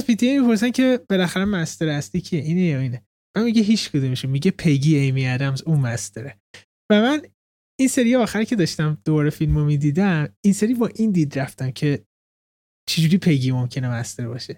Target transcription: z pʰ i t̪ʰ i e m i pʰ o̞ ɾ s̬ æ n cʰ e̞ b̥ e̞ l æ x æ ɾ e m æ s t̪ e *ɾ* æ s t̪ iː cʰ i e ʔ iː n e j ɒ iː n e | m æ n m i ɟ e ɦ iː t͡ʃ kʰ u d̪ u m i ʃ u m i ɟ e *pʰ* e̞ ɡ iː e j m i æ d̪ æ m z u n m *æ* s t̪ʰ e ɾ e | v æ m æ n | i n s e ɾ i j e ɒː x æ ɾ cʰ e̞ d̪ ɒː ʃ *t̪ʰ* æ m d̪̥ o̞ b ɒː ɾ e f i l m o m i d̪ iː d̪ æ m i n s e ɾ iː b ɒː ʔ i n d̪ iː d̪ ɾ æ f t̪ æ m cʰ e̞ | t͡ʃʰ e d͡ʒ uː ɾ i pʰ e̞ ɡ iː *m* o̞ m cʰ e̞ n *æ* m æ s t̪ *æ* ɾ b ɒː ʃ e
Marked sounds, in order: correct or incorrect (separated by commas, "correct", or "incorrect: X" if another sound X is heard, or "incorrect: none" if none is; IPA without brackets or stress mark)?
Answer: correct, correct, correct, incorrect: t̪, correct, incorrect: e, incorrect: e